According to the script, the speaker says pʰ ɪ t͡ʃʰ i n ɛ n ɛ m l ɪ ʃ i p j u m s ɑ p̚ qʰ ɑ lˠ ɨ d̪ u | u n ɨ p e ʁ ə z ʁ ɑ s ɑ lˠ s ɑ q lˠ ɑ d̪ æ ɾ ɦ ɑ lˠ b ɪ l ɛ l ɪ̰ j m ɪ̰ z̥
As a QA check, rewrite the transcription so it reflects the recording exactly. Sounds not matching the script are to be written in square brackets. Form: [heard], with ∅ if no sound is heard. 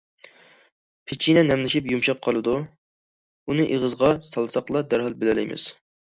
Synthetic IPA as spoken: pʰ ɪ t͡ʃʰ i n ɛ n ɛ m l ɪ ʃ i p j u m [ʃ] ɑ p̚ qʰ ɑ lˠ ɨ d̪ u | u n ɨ [ʔ] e ʁ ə z ʁ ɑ s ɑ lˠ s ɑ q lˠ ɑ d̪ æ ɾ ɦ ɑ lˠ b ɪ l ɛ l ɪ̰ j m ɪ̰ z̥